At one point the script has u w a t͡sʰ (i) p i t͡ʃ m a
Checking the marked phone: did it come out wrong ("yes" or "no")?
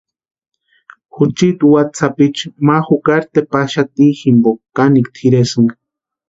yes